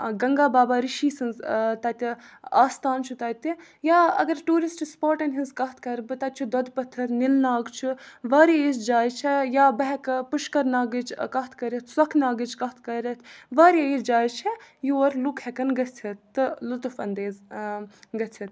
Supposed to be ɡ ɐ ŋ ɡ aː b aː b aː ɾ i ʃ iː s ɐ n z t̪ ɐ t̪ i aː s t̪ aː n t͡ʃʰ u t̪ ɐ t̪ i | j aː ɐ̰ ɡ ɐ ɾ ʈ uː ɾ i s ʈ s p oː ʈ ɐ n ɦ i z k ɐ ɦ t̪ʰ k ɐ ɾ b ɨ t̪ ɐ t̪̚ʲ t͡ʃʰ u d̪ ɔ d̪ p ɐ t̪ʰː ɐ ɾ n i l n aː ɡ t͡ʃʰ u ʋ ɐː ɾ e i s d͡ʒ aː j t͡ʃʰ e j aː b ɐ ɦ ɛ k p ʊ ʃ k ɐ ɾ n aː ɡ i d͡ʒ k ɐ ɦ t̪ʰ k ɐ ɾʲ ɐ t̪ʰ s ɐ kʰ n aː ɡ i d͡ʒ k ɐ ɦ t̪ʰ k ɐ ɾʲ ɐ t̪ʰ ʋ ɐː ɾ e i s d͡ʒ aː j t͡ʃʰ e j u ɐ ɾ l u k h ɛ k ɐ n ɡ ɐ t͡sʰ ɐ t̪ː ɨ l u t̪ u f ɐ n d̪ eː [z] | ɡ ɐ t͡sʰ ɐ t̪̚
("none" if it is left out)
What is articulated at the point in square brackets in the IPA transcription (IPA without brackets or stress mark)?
z